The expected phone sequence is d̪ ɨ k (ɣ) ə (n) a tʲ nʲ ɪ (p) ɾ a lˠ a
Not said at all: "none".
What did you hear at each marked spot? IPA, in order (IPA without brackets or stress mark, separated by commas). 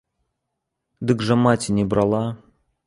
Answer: ʐ, m, b